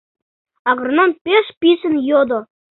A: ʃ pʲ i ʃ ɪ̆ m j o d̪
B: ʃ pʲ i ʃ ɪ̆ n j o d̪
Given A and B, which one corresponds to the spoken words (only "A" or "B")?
B